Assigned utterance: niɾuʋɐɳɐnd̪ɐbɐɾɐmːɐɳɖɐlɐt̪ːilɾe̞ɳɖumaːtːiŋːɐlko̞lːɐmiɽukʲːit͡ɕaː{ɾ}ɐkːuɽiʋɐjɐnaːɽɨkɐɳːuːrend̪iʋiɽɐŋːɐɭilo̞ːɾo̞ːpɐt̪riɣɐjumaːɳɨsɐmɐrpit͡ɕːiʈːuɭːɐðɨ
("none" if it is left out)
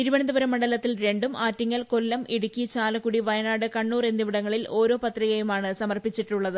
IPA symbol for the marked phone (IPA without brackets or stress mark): l